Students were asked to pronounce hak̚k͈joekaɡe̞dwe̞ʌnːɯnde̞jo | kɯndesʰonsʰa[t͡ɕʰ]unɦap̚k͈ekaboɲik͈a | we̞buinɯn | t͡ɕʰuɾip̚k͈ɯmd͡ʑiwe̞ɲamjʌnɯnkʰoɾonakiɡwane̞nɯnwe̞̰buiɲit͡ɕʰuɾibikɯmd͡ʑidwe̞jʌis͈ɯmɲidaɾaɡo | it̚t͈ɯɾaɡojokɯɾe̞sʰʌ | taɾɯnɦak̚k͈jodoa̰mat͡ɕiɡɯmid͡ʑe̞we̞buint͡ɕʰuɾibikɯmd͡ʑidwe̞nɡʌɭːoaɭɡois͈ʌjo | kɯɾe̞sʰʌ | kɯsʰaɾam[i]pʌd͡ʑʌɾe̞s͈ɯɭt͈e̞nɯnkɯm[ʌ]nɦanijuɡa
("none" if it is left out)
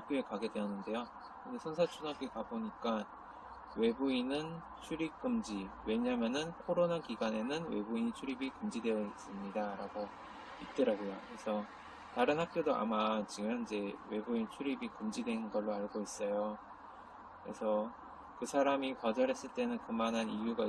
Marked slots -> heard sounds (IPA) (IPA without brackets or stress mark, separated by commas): t͡ɕʰ, i, a